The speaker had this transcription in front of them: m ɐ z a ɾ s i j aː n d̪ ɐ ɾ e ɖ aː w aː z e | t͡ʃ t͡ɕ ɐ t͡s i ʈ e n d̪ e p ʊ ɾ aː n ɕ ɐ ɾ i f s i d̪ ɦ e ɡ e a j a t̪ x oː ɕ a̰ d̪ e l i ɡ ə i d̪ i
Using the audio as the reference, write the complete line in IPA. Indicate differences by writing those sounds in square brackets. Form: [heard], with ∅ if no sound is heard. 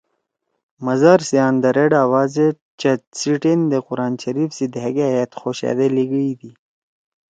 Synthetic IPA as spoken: m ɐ z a ɾ s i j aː n d̪ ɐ ɾ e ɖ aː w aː z e | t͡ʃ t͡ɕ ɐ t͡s i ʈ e n d̪ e [q] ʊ ɾ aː n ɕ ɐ ɾ i f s i d̪ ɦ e ɡ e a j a t̪ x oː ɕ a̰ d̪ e l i ɡ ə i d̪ i